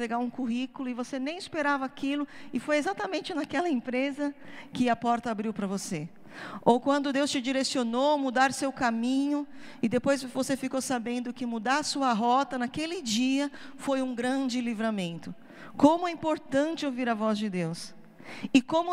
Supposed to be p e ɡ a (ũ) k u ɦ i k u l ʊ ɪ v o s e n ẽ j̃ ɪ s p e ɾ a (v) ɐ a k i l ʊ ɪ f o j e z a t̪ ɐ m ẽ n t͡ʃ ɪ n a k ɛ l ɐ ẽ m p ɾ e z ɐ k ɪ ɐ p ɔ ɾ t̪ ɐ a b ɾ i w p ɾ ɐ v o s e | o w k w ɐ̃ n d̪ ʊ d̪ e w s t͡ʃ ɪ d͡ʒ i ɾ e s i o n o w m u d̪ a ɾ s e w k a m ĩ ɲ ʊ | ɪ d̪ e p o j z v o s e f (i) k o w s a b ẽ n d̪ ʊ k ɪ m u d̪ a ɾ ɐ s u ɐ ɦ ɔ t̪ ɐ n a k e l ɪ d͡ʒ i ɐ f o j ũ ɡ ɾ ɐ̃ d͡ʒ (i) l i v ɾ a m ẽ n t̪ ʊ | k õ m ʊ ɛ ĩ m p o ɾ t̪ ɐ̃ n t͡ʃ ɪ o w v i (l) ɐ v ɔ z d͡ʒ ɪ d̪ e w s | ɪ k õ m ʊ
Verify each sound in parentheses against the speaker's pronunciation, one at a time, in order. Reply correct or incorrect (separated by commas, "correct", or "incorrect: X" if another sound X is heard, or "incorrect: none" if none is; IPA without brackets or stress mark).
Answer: correct, correct, correct, incorrect: ɪ, incorrect: ɾ